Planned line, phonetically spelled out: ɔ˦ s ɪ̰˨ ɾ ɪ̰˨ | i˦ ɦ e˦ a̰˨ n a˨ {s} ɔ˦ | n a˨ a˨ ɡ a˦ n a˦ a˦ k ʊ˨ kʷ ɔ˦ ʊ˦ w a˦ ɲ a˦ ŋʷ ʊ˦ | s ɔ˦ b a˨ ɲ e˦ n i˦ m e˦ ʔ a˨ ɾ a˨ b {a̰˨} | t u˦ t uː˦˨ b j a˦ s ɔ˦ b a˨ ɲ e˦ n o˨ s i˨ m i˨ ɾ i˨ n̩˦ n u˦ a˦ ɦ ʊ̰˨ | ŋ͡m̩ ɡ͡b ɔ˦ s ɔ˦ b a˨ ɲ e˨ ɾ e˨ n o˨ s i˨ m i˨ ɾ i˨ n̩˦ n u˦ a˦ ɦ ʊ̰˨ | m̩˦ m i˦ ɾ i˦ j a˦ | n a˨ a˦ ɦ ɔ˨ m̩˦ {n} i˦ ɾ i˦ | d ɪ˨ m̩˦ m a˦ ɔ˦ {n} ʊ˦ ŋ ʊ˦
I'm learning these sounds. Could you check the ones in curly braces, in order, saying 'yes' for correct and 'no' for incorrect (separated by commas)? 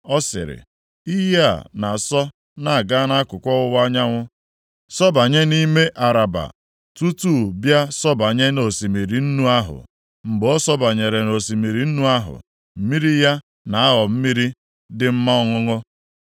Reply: yes, yes, no, no